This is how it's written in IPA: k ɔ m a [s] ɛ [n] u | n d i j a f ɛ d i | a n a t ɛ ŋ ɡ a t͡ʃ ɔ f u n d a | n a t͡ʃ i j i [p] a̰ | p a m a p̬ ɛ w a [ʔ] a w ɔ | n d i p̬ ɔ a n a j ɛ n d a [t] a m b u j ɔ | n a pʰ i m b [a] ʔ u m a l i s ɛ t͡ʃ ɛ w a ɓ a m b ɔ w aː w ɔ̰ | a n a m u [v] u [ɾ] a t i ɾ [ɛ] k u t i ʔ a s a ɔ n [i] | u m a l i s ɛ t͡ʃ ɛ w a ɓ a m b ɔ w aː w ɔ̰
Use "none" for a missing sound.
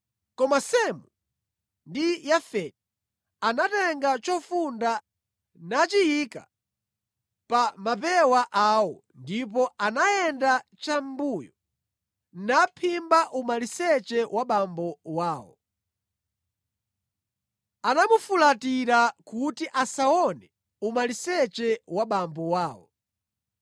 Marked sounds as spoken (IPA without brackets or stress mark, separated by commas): s, m, k, ʔ, t͡ʃ, a, f, l, a, ɛ